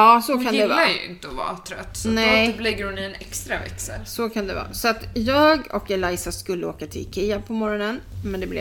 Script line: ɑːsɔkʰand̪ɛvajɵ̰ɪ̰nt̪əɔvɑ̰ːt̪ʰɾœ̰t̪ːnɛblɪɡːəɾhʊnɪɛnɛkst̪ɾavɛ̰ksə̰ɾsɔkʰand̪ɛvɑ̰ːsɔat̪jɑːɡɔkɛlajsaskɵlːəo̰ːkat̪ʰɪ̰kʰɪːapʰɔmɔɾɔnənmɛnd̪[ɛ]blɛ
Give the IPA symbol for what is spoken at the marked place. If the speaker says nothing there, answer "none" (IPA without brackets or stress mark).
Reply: ɛ